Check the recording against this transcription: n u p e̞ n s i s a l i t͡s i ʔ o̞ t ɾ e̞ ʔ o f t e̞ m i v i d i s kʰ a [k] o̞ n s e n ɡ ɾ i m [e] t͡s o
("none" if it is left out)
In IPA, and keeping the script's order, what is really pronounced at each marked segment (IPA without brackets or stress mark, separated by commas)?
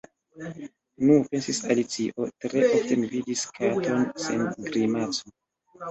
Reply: t, a